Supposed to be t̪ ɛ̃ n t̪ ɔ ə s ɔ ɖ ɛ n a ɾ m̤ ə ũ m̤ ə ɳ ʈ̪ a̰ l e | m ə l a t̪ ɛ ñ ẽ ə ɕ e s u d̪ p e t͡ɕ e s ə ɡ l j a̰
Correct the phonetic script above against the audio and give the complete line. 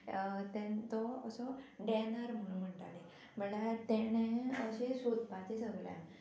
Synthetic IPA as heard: t̪ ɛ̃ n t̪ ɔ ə s ɔ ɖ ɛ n a ɾ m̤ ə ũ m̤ ə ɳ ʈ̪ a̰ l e | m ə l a t̪ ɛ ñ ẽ ə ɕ e s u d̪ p a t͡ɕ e s ə ɡ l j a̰

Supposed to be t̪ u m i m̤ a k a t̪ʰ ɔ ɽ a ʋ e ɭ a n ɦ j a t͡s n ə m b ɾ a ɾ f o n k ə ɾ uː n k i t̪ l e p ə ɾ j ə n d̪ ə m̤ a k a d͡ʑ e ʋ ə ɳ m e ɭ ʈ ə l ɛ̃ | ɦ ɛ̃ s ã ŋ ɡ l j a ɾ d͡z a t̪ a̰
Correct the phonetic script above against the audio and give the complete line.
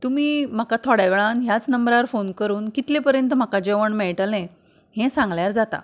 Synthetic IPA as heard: t̪ u m iː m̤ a k a t̪ʰ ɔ ɽ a ʋ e ɭ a n ɦ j a t͡s n ə m b ɾ a ɾ f o n k ə ɾ uː n k i t̪ l e p ə ɾ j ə n t̪ ə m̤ a k a d͡ʑ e ʋ ə ɳ m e ɭ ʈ ə l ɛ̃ | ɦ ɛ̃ s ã ŋ ɡ l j a ɾ d͡z a t̪ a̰

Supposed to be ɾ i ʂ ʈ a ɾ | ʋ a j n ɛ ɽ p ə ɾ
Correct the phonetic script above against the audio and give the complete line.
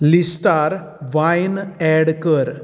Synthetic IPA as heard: l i s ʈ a ɾ | ʋ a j n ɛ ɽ k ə ɾ

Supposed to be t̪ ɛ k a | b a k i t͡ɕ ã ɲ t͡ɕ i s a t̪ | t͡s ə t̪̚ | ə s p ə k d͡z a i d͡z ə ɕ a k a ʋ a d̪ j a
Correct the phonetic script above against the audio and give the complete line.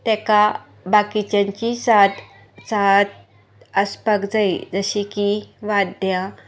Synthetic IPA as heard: t̪ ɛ k a | b a k i t͡ɕ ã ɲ t͡ɕ i s a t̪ | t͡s a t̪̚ | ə s p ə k d͡z a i d͡z ə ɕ i k i ʋ a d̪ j a

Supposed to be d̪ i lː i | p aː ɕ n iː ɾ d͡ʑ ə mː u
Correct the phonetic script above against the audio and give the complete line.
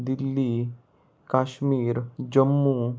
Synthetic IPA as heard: d̪ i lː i | k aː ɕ m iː ɾ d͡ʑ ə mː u

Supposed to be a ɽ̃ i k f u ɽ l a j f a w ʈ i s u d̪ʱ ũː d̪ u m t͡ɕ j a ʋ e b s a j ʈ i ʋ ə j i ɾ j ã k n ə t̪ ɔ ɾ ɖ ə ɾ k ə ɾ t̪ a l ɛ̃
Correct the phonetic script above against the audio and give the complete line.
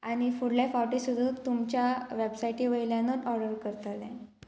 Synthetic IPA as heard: a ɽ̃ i f u ɽ l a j f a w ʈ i s u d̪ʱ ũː t̪ u m t͡ɕ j a ʋ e b s a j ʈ i ʋ ə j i l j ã n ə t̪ ɔ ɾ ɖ ə ɾ k ə ɾ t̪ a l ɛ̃

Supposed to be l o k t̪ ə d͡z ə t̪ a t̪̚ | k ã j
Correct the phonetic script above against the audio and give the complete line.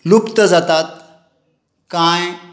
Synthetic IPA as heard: l u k t̪ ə d͡z a t̪ a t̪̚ | k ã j

